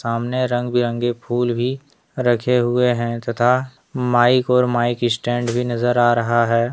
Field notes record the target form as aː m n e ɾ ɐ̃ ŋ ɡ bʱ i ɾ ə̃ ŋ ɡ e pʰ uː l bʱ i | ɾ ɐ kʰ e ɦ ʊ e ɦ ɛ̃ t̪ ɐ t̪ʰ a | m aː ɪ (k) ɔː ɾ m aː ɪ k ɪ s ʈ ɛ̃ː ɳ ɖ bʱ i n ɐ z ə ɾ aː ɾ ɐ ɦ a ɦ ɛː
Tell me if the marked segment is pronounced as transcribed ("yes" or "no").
yes